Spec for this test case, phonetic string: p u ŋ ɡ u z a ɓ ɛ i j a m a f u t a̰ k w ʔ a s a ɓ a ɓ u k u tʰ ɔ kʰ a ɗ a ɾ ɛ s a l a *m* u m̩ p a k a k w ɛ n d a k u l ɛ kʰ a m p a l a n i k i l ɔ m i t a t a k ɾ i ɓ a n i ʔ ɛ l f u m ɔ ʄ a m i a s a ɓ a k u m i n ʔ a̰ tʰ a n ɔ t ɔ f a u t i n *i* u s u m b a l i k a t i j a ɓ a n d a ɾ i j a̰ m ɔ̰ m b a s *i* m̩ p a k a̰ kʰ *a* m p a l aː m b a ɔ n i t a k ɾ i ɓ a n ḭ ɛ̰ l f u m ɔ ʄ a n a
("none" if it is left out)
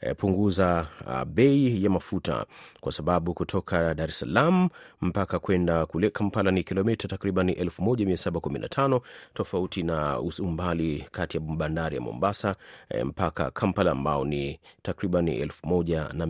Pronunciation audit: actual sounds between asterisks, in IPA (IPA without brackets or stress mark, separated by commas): m, a, a, a